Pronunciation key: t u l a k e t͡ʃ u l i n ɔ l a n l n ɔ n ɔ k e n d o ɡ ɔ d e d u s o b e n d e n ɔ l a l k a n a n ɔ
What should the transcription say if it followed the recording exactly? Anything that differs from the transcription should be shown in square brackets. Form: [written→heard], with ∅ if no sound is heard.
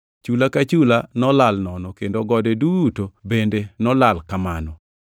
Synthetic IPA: [t→t͡ʃ] u l a k [e→a] t͡ʃ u l [i→a] n ɔ l a [n→∅] l n ɔ n ɔ k e n d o ɡ ɔ d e d u [s→t] o b e n d e n ɔ l a l k a [n→m] a n ɔ

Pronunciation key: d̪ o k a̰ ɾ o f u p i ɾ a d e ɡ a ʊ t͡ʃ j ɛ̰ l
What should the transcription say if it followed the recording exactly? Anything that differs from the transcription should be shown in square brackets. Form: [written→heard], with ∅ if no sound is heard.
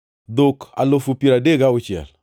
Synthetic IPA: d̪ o k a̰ [ɾ→l] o f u p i ɾ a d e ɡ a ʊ t͡ʃ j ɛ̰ l

